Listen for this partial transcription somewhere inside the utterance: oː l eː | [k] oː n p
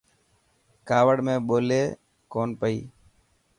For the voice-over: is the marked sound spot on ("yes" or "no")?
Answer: yes